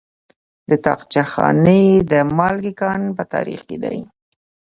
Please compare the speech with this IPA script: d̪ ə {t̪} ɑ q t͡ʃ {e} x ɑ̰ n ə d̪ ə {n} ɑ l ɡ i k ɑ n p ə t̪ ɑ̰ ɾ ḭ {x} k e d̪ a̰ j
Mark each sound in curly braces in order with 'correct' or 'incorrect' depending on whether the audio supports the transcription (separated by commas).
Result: correct, incorrect, incorrect, correct